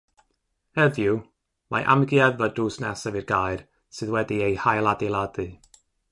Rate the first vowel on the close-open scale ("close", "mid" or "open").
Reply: mid